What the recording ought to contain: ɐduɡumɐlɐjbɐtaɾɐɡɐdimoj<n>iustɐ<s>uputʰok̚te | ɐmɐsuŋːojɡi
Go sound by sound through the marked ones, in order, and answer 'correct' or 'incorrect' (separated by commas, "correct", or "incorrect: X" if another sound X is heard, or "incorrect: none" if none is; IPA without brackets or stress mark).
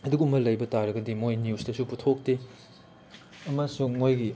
correct, correct